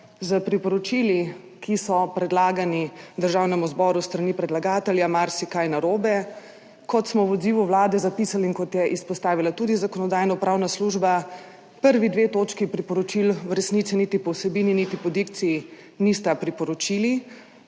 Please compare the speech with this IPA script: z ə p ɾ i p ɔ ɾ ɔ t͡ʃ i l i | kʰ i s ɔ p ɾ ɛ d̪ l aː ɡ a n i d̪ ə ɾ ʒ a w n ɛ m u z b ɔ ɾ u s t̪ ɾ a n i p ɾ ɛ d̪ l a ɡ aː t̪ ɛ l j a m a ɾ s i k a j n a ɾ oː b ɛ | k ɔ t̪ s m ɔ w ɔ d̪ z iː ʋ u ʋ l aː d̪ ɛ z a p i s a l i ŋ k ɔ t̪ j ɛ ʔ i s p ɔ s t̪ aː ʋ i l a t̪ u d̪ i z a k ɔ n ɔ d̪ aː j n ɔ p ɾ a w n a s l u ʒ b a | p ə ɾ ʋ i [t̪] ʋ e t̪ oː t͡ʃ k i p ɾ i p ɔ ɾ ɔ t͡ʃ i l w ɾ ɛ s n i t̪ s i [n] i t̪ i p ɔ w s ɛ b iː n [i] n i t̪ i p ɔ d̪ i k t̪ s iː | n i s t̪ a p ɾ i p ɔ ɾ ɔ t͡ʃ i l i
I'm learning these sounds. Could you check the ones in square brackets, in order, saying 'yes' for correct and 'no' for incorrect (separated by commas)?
no, yes, yes